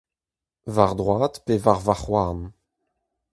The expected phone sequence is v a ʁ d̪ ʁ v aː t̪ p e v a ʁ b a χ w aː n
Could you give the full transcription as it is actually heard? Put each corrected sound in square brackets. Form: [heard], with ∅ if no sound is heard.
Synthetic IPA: v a ʁ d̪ ʁ [w] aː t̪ p e v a ʁ [v] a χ w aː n